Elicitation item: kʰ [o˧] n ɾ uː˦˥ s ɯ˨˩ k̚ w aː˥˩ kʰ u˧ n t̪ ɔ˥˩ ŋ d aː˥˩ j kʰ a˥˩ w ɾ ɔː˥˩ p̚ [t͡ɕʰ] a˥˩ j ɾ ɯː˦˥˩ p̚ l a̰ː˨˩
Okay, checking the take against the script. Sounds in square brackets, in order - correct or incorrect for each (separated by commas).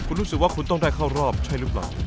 incorrect, correct